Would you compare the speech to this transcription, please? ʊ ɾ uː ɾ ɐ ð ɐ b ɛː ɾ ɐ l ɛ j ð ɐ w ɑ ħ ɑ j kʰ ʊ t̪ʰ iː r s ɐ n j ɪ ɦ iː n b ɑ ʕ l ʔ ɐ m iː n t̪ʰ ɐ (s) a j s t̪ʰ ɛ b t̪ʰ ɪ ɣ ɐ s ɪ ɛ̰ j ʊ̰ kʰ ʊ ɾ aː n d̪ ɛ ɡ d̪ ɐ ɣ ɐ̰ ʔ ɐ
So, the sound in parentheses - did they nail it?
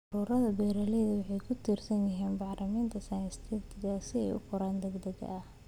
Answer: yes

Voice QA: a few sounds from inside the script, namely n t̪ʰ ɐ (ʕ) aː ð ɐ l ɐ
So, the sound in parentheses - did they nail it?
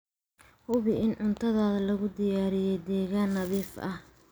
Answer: no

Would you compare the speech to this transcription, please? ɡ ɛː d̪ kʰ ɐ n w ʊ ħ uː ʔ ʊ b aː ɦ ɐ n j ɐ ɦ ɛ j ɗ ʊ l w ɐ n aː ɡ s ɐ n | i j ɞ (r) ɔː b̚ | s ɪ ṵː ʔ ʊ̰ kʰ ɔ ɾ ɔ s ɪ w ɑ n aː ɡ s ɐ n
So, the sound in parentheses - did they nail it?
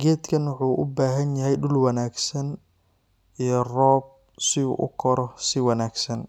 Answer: yes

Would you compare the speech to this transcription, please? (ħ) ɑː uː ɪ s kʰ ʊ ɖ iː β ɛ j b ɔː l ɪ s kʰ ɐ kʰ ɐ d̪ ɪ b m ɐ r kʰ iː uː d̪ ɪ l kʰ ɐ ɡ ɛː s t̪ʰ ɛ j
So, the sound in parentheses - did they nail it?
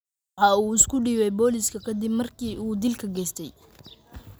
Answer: yes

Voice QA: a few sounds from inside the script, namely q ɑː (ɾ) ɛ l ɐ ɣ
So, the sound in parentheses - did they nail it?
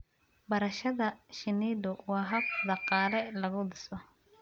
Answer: no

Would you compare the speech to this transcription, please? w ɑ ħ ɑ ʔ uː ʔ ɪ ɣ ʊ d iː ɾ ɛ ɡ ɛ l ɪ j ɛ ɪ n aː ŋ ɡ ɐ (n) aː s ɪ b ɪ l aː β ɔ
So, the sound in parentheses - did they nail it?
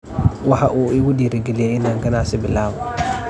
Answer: yes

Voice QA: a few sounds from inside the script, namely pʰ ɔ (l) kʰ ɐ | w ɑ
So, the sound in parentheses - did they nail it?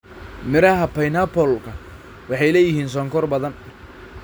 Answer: yes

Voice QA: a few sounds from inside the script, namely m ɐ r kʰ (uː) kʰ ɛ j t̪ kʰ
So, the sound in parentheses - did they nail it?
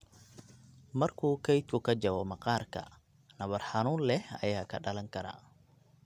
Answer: yes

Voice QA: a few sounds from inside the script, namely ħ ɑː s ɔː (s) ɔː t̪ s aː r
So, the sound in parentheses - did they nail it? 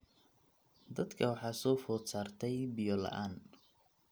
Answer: no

